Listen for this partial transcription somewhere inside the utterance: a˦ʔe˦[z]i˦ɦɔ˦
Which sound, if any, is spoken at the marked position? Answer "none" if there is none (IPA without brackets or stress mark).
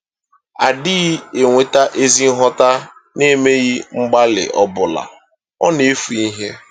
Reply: z